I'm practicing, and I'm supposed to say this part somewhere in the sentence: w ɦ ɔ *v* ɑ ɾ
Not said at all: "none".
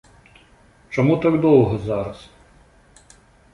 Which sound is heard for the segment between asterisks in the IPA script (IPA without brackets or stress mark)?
z